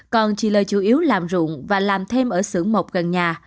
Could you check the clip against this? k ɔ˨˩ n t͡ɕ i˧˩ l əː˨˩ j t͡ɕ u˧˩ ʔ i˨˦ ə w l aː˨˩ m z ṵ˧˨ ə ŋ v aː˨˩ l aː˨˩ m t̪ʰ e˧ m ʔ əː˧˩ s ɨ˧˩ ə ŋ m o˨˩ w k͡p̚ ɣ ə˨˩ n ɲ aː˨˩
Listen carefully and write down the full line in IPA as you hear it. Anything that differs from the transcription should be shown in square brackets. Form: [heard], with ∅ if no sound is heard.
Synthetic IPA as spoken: k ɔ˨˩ n t͡ɕ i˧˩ l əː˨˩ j t͡ɕ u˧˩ ʔ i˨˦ ə w l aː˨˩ m z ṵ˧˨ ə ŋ v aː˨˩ l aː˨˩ m t̪ʰ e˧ m ʔ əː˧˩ s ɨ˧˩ ə ŋ m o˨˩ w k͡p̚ ɣ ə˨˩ n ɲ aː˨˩